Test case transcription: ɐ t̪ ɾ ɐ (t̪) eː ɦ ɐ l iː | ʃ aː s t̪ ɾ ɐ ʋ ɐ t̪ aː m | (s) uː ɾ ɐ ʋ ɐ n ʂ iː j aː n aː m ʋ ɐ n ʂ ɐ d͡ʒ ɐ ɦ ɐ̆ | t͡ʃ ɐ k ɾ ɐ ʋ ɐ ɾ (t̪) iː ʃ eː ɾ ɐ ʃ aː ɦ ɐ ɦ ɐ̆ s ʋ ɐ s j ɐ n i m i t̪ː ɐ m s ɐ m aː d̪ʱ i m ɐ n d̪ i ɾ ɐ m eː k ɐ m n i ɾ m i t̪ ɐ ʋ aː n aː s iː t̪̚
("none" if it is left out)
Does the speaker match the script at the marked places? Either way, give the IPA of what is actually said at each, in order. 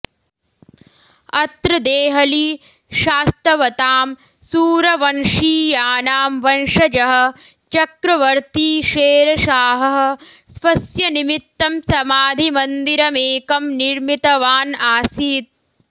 d̪, s, t̪

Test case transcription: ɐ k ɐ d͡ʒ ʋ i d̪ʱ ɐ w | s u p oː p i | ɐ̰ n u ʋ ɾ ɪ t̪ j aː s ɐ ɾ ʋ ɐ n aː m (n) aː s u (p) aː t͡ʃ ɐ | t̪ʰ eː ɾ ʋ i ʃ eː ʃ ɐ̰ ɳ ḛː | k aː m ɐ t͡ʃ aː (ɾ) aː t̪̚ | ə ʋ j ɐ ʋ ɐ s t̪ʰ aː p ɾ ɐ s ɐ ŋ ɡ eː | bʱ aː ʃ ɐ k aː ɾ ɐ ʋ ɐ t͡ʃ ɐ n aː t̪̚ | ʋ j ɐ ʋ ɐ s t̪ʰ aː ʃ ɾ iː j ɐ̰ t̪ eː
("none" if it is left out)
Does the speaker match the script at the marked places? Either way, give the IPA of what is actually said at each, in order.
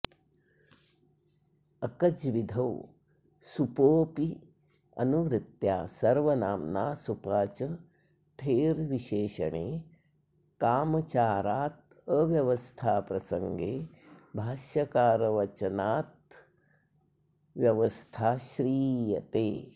n, p, ɾ

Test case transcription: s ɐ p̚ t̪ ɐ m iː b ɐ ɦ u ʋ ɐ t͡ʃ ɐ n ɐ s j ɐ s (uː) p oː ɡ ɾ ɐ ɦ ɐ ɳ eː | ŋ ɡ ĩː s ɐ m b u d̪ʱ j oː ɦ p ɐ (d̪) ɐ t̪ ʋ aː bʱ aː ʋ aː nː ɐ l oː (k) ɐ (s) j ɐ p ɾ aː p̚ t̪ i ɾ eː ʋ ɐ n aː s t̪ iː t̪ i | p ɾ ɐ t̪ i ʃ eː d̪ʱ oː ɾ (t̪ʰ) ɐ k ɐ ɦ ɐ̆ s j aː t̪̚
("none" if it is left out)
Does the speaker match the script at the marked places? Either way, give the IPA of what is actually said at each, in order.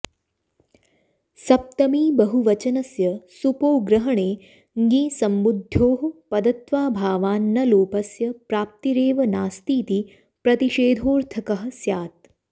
u, d̪, p, s, t̪ʰ

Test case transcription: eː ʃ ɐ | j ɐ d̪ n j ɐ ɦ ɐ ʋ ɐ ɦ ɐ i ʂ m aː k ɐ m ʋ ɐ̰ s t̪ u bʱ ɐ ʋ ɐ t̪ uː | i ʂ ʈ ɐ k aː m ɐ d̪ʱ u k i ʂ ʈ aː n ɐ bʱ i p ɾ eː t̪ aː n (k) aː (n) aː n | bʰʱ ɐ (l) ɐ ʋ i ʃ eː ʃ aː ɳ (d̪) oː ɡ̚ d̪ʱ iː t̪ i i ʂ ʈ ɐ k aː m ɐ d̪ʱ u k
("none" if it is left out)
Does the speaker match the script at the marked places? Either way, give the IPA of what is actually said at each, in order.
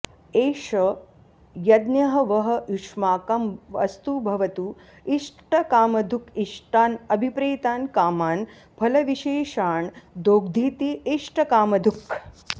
k, m, l, d̪

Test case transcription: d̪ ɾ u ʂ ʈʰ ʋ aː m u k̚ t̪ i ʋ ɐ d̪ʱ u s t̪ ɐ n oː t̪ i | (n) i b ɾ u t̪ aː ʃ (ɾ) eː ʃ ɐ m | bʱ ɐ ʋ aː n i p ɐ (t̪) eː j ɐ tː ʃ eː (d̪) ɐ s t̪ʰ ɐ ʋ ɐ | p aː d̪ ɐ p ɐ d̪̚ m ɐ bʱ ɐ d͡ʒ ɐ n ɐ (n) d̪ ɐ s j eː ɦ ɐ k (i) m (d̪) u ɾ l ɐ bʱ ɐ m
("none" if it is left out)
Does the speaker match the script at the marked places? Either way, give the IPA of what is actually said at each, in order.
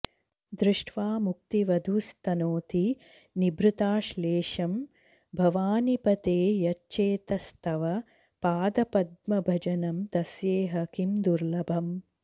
n, l, t̪, t̪, m, i, d̪

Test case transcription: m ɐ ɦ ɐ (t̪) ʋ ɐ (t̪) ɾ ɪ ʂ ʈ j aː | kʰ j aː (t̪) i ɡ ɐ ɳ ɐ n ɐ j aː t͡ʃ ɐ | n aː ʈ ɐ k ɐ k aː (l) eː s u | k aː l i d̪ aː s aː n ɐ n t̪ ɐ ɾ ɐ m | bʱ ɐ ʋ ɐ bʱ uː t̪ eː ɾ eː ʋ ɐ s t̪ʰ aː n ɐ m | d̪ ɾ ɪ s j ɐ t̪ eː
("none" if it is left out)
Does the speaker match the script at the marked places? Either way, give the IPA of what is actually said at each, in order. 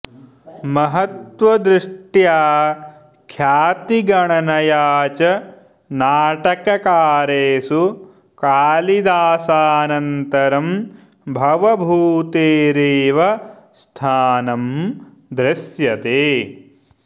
t̪, d̪, t̪, ɾ

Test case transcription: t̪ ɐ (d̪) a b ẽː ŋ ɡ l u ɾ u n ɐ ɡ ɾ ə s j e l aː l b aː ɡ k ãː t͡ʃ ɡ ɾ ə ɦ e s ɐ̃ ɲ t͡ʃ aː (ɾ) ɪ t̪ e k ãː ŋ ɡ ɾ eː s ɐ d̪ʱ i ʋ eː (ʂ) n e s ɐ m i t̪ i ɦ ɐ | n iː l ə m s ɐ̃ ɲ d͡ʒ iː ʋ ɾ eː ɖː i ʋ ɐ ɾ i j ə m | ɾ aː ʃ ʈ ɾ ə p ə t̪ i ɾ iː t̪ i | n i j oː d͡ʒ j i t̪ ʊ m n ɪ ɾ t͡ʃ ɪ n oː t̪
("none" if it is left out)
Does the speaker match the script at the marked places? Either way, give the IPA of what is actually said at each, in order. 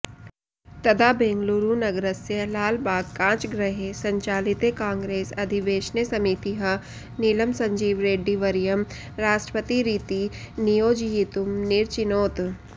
d̪, l, ʃ

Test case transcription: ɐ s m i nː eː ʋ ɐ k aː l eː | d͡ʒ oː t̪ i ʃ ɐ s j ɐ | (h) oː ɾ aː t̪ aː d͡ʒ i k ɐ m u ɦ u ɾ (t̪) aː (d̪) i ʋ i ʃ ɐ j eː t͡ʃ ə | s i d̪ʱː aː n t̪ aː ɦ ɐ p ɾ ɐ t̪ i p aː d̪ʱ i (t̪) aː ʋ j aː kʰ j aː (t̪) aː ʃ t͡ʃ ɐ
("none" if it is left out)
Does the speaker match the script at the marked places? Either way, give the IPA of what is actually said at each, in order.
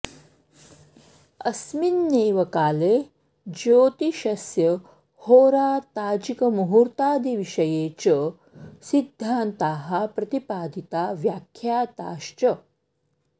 h, t̪, d̪, t̪, t̪

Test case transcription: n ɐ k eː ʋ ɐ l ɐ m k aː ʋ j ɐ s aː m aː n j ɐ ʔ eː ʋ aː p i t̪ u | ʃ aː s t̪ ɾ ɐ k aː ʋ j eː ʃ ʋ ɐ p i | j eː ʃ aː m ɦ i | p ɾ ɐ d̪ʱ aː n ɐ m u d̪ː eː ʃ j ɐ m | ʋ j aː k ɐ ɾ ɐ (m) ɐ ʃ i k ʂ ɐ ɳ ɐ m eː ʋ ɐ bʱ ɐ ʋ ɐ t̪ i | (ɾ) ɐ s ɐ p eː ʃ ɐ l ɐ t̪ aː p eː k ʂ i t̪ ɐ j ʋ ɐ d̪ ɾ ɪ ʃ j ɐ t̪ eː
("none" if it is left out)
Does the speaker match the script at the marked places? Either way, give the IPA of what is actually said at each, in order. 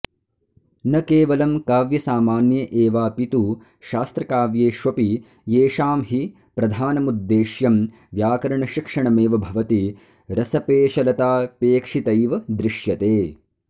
ɳ, ɾ

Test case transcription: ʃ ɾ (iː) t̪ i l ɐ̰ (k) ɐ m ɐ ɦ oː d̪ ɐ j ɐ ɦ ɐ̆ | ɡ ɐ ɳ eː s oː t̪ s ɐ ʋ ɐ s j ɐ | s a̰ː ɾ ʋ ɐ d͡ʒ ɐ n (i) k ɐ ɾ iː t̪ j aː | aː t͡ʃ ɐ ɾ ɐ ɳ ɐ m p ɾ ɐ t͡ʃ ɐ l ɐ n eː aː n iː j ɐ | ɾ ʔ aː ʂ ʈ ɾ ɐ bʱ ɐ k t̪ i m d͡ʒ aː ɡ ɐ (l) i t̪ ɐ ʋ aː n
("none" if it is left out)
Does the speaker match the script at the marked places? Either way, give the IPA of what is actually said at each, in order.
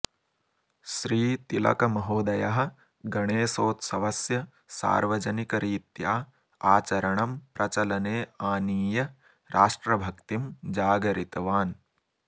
iː, k, i, ɾ

